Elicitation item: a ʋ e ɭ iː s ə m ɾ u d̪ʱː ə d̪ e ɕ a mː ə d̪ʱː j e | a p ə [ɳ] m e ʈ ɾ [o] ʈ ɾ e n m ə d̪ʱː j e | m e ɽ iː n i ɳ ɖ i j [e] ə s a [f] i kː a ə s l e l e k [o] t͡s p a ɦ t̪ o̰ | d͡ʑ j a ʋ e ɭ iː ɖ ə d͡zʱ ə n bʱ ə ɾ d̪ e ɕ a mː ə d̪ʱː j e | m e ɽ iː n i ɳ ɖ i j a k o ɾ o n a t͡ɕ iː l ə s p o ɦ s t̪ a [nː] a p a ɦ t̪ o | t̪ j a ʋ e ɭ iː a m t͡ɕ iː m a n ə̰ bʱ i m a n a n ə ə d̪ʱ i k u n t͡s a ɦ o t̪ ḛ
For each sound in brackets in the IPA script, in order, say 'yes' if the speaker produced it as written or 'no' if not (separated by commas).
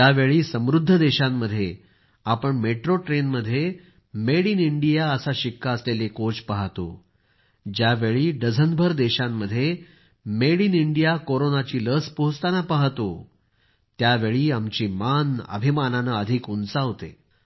yes, yes, no, no, yes, no